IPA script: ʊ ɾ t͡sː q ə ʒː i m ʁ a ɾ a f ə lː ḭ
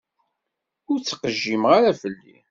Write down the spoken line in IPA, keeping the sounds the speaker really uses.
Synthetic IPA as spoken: ʊ ɾ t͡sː q ə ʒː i m ʁ a ɾ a f ə lː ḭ